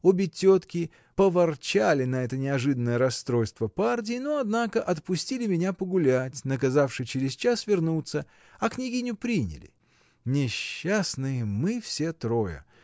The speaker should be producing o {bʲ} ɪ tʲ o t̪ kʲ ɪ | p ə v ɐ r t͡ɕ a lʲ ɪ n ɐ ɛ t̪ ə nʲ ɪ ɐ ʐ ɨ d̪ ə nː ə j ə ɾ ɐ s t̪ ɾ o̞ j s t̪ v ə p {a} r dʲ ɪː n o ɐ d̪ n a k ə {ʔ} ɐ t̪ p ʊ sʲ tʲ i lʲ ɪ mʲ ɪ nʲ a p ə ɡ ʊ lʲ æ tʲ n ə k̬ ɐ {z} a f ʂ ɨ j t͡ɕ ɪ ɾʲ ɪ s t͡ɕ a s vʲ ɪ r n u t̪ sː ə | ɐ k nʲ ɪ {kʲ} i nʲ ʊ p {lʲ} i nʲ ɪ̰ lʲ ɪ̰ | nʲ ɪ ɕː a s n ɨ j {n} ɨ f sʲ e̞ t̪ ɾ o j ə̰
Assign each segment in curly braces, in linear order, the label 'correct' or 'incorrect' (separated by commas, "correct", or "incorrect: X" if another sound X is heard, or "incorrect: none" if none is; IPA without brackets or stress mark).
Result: correct, correct, correct, correct, incorrect: ɡʲ, incorrect: ɾʲ, incorrect: m